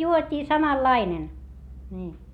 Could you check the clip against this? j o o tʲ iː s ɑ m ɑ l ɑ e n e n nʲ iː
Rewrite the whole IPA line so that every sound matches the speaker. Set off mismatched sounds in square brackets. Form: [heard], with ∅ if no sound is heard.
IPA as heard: j [u] o tʲ iː s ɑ m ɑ [lː] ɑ [i] n e n nʲ iː